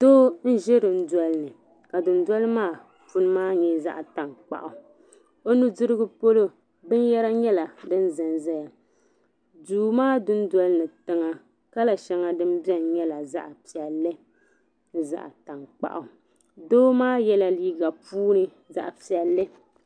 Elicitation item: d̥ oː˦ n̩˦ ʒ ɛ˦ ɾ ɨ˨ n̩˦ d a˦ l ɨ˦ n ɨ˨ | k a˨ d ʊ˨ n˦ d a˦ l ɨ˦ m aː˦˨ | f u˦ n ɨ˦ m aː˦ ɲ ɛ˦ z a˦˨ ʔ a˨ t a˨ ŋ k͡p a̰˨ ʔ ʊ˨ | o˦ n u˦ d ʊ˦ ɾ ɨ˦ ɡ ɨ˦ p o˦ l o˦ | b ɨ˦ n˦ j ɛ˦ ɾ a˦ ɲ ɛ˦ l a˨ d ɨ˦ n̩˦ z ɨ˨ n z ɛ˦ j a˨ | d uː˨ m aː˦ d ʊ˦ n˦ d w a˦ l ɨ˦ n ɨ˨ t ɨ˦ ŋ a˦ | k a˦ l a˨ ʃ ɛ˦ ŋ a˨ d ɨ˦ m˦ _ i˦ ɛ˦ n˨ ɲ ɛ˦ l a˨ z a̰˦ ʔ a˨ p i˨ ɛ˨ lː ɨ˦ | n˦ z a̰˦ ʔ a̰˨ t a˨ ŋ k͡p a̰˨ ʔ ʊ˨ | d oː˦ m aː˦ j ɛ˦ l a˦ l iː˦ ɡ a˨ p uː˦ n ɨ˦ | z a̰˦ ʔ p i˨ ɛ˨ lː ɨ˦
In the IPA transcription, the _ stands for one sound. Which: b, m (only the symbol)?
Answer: b